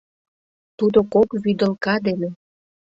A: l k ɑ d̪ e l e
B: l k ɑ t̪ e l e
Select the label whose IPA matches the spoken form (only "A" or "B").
A